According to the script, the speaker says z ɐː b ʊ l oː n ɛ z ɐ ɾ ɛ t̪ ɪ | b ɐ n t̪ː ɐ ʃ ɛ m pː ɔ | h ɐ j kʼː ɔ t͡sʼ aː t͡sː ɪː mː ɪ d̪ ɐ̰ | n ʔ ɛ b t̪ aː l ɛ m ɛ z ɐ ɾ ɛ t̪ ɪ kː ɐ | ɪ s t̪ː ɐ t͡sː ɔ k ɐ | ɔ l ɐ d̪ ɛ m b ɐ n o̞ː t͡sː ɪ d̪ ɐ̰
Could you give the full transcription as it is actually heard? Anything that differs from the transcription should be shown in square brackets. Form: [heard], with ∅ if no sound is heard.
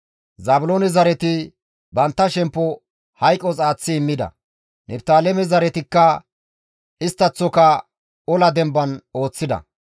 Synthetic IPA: z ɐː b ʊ l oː n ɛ z ɐ ɾ ɛ t̪ ɪ | b ɐ n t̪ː ɐ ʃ ɛ m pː ɔ | h ɐ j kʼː ɔ t͡sʼ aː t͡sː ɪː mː ɪ d̪ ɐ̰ | n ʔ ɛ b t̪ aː l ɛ m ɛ z ɐ ɾ ɛ t̪ ɪ kː ɐ | ɪ s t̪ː ɐ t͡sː ɔ k ɐ | ɔ l ɐ d̪ ɛ m b ɐ n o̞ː t͡sː ɪ d̪ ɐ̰